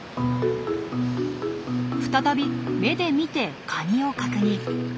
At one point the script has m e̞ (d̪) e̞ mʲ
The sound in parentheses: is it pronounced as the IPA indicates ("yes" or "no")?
yes